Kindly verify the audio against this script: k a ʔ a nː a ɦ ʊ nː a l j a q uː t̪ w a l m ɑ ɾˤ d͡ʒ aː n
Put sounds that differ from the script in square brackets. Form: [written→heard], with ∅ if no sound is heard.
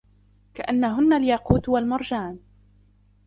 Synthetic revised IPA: k a ʔ a nː a ɦ ʊ nː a l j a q uː t̪ w a l m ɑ ɾˤ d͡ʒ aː n

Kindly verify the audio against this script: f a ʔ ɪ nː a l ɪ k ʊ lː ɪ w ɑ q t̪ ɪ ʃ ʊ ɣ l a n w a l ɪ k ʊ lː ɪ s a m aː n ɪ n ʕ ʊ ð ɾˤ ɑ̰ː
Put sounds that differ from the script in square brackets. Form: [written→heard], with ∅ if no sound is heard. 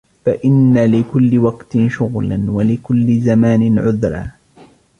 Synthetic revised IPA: f a ʔ ɪ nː a l ɪ k ʊ lː ɪ w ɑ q t̪ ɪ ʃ ʊ ɣ l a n w a l ɪ k ʊ lː ɪ [s→z] a m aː n ɪ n ʕ ʊ ð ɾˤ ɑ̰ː

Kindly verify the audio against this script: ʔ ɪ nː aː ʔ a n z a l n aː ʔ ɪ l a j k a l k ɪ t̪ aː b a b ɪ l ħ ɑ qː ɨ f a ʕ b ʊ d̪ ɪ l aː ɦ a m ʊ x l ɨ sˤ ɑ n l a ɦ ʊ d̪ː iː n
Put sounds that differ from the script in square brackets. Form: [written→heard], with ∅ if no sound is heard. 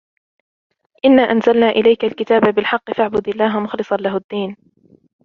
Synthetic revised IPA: ʔ ɪ nː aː ʔ a n z a l n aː ʔ ɪ l a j k a l k ɪ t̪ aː b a b ɪ l ħ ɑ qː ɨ f a ʕ b ʊ d̪ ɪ [l→lː] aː ɦ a m ʊ x l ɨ sˤ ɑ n l a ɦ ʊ d̪ː iː n

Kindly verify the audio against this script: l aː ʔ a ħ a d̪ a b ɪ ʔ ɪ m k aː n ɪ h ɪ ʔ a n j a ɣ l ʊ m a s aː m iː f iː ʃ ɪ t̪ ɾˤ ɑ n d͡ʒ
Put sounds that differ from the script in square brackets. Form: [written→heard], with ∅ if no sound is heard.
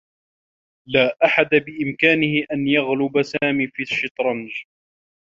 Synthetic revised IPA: l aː ʔ a ħ a d̪ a b ɪ ʔ ɪ m k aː n ɪ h ɪ ʔ a n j a ɣ l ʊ [m→b] a s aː m iː f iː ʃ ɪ t̪ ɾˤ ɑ n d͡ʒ

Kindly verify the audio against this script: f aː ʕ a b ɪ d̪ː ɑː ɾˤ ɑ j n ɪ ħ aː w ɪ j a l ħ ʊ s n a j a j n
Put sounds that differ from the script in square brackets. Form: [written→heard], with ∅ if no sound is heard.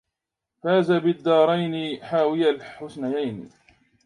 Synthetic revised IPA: f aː [ʕ→z] a b ɪ d̪ː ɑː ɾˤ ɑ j n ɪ ħ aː w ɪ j a l ħ ʊ s n a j a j n

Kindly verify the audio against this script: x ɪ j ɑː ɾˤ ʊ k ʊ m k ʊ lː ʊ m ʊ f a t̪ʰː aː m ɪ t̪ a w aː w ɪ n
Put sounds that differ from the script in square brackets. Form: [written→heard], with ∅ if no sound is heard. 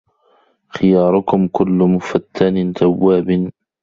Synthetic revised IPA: x ɪ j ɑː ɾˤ ʊ k ʊ m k ʊ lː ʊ m ʊ f a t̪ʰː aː [m→n] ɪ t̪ a [w→wː] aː [w→b] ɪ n

